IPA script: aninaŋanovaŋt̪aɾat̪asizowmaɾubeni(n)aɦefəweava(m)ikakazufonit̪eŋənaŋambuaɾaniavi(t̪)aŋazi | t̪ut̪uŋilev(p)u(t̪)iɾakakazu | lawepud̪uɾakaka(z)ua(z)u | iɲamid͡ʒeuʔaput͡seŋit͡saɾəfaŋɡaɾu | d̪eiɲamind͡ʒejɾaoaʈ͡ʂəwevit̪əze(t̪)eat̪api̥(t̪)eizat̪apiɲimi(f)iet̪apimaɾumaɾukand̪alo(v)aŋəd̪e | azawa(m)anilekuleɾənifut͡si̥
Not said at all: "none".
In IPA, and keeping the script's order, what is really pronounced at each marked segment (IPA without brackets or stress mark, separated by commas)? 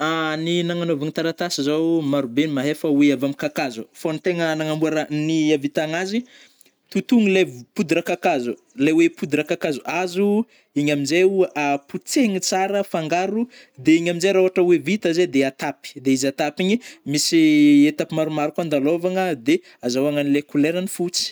m, m, t̪, p, d̪, z, z, d̪, d̪, s, v, ŋ